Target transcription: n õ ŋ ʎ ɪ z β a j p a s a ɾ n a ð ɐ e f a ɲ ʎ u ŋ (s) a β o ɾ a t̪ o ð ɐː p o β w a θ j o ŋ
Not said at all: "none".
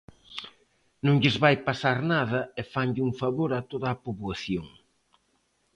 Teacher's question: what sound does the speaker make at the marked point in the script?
f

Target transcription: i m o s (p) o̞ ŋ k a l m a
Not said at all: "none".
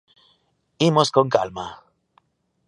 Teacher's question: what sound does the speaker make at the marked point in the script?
k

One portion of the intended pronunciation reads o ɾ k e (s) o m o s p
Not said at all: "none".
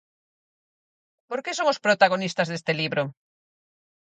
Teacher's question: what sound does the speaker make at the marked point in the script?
s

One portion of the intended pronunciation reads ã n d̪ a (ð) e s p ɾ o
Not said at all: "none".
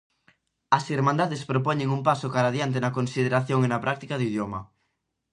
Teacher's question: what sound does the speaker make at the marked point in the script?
ð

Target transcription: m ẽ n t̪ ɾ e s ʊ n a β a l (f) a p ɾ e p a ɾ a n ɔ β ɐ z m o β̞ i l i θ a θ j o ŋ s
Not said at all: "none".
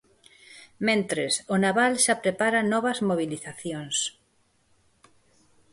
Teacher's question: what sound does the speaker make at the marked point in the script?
ʃ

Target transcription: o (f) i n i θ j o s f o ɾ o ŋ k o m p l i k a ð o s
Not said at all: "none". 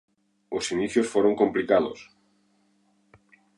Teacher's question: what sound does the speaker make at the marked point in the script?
s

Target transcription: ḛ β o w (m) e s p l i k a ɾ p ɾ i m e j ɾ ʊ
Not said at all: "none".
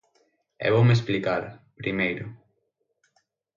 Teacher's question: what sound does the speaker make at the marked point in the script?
m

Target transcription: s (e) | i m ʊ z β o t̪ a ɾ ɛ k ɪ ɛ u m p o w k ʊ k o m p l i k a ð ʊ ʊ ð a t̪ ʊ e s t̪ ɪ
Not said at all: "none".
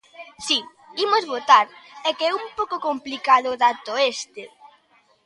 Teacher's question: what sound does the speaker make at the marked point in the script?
i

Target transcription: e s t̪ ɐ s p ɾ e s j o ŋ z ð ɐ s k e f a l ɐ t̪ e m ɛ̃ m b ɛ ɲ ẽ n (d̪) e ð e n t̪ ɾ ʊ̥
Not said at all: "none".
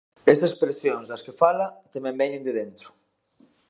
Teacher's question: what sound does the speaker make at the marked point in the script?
d̪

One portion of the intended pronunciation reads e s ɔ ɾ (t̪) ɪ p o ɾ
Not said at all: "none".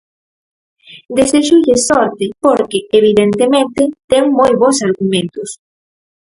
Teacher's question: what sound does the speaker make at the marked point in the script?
t̪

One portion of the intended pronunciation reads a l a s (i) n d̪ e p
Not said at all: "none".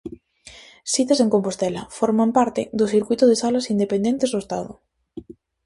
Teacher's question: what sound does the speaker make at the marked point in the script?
i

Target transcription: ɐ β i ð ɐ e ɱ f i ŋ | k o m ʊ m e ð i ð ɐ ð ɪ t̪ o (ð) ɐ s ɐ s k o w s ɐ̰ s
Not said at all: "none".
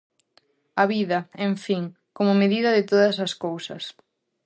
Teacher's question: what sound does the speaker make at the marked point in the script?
ð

